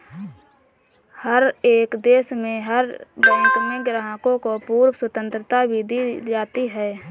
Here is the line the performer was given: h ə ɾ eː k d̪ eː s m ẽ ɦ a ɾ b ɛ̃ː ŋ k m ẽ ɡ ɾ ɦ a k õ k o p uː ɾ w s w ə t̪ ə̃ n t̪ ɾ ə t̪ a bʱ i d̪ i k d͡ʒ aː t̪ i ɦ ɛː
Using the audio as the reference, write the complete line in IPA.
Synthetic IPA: h ə ɾ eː k d̪ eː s m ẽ ɦ ə ɾ b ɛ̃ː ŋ k m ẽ ɡ ɾ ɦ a k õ k o p uː ɾ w s w ə t̪ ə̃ n t̪ ɾ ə t̪ a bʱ i d̪ i d͡ʒ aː t̪ i ɦ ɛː